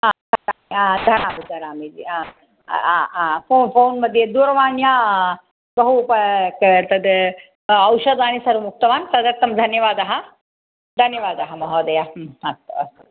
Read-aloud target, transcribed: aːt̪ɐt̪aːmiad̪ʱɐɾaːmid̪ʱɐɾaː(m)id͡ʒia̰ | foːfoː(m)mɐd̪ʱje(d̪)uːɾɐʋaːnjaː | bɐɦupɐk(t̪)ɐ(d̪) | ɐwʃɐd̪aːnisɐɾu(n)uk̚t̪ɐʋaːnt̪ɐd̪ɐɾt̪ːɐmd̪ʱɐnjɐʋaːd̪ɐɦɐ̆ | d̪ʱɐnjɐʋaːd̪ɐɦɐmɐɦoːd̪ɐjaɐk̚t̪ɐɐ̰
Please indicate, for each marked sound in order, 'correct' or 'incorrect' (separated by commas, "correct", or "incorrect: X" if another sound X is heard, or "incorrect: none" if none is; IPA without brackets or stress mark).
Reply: correct, incorrect: n, correct, correct, correct, incorrect: m